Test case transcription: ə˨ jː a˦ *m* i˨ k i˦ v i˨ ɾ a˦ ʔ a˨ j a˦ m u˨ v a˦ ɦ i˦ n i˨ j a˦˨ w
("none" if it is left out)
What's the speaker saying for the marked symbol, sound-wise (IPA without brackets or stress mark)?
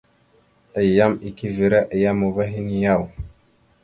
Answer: m